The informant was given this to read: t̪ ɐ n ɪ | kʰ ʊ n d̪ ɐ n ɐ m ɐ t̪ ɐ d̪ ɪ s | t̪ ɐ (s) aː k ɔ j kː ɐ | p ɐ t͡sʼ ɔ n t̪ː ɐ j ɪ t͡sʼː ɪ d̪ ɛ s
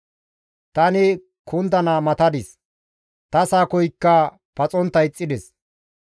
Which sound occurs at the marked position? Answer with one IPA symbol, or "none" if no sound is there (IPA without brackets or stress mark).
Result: s